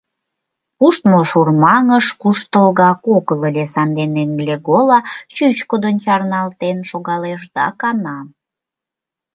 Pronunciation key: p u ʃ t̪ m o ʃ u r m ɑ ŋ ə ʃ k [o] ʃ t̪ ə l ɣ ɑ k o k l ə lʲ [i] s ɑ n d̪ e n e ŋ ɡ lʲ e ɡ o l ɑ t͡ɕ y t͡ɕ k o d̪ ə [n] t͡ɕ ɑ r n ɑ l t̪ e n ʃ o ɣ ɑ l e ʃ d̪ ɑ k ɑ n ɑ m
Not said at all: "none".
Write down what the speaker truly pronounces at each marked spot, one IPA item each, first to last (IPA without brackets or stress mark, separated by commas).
u, e, n